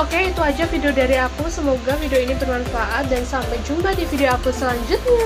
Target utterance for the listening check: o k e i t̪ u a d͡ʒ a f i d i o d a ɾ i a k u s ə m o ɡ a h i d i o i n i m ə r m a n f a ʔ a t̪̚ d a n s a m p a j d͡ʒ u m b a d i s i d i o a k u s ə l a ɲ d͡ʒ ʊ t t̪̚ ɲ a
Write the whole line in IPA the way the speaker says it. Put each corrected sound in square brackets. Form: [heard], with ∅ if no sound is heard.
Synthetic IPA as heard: o k e i t̪ u a d͡ʒ a f i d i o d a ɾ i a k u s ə m o ɡ a [f] i d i o i n i [b] ə r m a n f a ʔ a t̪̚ d a n s a m p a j d͡ʒ u m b a d i [f] i d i o a k u s ə l a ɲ d͡ʒ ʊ t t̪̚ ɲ a